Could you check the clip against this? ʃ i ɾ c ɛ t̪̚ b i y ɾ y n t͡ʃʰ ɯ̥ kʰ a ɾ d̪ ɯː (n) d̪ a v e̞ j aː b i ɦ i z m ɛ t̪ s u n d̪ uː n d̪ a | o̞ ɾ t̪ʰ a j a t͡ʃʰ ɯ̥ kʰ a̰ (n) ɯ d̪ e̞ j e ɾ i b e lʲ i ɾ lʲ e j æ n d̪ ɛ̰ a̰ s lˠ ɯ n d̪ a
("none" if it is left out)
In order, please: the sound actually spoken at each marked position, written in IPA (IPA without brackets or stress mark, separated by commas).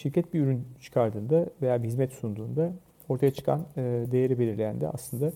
n, n